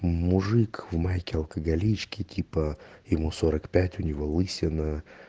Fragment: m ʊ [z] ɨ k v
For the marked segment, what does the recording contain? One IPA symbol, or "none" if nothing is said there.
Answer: ʐ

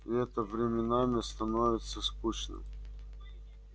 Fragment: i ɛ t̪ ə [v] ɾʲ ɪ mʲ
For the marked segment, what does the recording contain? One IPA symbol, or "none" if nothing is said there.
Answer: v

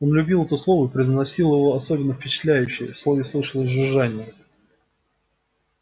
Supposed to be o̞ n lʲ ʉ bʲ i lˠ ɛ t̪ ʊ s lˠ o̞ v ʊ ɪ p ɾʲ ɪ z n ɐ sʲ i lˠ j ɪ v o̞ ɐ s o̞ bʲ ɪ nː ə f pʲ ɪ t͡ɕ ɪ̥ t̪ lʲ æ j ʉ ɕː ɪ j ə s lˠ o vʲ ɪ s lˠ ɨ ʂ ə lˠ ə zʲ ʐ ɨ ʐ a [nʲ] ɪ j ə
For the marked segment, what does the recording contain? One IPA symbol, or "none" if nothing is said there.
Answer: nʲ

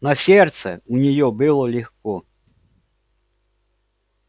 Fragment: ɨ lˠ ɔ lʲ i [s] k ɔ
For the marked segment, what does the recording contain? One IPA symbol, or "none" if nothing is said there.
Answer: x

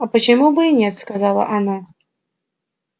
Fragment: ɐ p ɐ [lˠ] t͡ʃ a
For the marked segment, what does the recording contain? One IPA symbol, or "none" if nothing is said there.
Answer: none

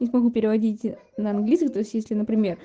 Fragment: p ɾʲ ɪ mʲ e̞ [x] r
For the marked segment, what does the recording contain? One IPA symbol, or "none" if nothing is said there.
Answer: none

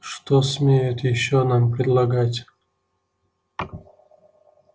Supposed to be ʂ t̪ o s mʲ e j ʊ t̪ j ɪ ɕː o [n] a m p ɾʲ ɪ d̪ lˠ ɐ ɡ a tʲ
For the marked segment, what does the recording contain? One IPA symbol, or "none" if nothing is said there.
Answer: n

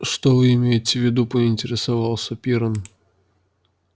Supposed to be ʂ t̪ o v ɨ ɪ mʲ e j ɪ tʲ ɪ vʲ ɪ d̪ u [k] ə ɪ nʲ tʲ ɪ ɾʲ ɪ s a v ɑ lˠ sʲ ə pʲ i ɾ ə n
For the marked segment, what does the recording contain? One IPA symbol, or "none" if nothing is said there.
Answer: p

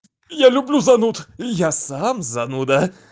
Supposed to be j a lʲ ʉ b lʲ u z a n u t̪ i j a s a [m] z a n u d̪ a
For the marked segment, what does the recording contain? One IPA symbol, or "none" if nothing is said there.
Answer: m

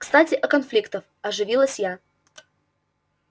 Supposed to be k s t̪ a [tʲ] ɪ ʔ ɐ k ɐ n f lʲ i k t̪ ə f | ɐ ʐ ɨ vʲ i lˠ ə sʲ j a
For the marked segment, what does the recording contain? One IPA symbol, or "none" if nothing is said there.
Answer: tʲ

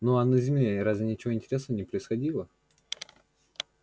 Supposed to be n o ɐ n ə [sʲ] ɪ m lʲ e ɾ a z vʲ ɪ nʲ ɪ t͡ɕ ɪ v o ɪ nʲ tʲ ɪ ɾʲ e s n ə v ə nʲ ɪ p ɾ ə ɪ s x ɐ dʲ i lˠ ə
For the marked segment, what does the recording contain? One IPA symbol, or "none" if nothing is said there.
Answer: zʲ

